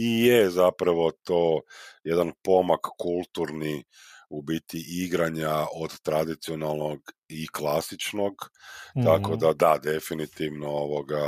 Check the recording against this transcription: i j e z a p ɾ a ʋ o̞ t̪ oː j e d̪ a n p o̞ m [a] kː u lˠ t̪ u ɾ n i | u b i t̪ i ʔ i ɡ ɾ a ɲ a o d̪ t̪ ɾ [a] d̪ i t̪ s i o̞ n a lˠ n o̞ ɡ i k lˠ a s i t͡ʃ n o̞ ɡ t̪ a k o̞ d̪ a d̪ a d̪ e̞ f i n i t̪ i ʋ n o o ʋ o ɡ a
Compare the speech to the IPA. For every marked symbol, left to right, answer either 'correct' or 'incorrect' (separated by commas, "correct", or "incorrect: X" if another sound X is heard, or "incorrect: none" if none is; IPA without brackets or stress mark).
correct, correct